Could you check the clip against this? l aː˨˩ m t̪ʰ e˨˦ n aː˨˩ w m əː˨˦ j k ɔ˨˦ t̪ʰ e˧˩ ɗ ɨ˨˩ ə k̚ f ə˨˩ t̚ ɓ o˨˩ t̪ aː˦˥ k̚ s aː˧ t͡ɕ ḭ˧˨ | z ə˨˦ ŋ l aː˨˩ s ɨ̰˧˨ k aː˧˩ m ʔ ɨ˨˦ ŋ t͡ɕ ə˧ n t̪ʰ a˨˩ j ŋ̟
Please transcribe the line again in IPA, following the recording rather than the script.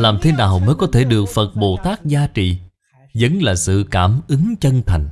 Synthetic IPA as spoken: l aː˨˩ m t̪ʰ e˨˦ n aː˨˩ w m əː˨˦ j k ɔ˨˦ t̪ʰ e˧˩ ɗ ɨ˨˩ ə k̚ f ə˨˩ t̚ ɓ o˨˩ t̪ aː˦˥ k̚ z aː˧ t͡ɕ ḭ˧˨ | z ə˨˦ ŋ l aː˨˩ s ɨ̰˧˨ k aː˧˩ m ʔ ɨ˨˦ ŋ t͡ɕ ə˧ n t̪ʰ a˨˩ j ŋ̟

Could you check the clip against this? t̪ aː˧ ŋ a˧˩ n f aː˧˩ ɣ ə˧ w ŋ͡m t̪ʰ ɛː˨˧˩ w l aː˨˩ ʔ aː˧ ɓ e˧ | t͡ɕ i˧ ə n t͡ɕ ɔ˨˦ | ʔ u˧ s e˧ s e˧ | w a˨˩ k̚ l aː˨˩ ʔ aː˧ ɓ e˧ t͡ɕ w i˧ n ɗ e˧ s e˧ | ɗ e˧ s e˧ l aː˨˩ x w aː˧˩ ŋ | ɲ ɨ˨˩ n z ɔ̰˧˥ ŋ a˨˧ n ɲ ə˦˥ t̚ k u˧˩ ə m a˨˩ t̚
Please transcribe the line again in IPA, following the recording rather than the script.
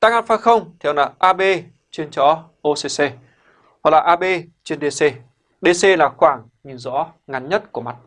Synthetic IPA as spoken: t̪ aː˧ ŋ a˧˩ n f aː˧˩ x ə˧ w ŋ͡m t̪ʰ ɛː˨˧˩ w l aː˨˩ ʔ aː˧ ɓ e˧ | t͡ɕ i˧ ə n t͡ɕ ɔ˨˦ | ʔ o˧ s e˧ s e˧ | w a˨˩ k̚ l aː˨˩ ʔ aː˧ ɓ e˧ t͡ɕ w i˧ n ɗ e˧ s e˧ | ɗ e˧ s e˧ l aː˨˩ x w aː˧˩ ŋ | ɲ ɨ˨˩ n z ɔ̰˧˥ ŋ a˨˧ n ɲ ə˦˥ t̚ k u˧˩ ə m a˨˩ t̚

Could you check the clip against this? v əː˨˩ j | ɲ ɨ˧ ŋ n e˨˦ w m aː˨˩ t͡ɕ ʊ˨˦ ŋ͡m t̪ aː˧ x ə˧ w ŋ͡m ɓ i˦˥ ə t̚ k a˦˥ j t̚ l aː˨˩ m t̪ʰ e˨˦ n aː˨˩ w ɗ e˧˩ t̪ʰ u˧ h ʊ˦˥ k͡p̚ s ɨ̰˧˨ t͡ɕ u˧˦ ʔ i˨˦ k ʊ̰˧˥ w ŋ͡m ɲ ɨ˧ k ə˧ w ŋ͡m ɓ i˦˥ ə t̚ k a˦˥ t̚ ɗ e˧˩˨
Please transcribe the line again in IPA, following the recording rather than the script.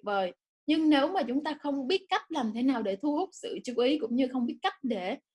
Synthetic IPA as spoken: v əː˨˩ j | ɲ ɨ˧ ŋ n e˨˦ w m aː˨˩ t͡ɕ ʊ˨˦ ŋ͡m t̪ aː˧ x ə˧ w ŋ͡m ɓ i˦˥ ə t̚ k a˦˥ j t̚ l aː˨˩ m t̪ʰ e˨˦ n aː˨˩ w ɗ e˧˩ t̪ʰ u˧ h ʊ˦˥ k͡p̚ s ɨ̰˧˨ t͡ɕ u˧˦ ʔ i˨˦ k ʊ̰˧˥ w ŋ͡m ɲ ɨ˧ x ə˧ w ŋ͡m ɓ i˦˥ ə t̚ k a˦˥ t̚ ɗ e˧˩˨

